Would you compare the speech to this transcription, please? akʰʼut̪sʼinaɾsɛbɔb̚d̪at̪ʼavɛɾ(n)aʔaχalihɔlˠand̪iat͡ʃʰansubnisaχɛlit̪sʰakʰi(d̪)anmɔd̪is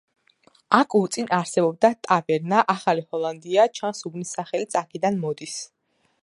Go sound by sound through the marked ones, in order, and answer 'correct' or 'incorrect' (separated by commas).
correct, correct